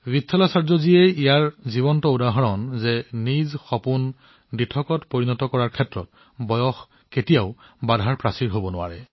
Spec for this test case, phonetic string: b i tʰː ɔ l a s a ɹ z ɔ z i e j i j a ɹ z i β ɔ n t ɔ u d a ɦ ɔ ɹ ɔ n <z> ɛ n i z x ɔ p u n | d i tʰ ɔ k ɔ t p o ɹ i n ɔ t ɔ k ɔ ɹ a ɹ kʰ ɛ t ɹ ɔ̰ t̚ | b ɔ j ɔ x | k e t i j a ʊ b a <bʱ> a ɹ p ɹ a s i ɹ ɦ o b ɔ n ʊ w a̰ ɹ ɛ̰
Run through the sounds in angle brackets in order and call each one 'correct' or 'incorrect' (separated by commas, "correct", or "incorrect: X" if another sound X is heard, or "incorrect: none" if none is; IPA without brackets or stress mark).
correct, incorrect: dʱ